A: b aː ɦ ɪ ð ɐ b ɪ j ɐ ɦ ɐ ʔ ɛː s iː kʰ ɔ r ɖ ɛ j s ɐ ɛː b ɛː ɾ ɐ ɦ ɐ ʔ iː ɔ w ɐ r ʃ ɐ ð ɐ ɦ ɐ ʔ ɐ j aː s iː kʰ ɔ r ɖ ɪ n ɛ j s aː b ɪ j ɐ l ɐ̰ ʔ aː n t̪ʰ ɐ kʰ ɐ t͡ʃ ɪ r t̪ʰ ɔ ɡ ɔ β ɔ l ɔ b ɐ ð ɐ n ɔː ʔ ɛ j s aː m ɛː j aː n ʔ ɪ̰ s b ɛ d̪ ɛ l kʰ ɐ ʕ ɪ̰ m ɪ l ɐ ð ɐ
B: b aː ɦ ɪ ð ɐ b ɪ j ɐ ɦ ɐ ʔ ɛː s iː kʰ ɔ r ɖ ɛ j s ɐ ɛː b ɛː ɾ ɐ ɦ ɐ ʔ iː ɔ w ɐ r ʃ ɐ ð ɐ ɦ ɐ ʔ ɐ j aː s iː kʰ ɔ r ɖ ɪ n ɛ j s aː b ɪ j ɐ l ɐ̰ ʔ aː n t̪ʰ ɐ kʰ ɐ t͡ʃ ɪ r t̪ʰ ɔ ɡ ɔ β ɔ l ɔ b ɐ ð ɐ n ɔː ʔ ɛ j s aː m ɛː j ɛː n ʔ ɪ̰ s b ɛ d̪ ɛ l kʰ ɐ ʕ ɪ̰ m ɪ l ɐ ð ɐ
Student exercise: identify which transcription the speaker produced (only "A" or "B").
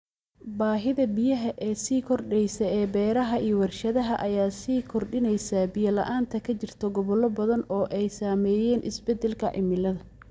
B